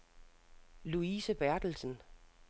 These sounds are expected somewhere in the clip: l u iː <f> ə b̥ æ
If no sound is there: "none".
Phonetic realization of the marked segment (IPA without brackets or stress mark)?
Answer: s